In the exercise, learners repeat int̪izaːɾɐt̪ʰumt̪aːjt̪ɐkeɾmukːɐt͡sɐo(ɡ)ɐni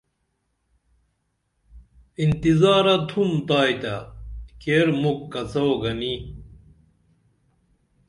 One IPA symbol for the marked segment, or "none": ɡ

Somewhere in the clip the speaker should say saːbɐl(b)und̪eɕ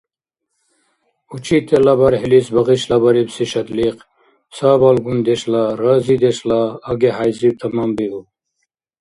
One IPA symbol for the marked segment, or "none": ɡ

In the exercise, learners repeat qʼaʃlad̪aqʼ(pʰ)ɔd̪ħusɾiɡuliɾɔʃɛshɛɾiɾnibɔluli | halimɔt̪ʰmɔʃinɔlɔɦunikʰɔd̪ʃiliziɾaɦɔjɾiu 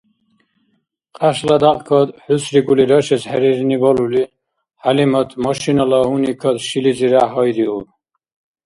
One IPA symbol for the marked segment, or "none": kʰ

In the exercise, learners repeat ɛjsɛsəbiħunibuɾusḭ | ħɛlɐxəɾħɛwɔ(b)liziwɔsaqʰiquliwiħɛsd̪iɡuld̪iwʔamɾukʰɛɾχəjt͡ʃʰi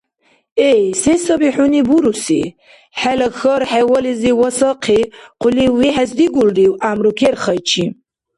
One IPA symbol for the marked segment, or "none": none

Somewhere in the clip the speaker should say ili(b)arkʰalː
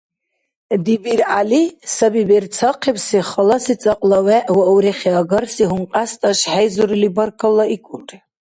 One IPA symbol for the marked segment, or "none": b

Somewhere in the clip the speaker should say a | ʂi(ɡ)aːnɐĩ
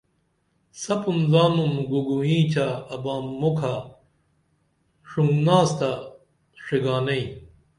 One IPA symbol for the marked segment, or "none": ɡ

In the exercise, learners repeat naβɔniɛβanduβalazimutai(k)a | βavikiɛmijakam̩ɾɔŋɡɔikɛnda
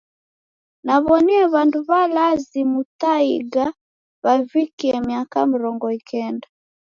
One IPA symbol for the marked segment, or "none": ɡ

